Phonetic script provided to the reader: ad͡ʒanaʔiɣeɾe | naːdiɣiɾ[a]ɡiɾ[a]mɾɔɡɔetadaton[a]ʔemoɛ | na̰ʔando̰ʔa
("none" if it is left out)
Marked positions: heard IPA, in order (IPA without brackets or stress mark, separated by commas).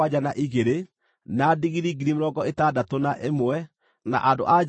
i, i, a